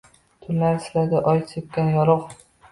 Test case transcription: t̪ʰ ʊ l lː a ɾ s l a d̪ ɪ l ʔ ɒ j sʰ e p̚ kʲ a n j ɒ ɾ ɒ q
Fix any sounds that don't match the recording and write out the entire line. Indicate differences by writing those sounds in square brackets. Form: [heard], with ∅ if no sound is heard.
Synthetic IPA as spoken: t̪ʰ ʊ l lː a ɾ s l a d̪ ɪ [∅] ʔ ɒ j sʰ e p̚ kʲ a n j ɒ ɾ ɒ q